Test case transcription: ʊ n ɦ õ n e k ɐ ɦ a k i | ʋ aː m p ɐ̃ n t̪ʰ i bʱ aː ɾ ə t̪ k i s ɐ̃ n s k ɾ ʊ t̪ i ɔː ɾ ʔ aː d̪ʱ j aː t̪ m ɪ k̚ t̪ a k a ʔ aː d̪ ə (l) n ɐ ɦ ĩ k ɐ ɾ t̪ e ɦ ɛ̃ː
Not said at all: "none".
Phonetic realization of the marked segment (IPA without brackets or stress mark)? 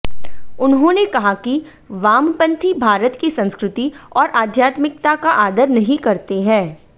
ɾ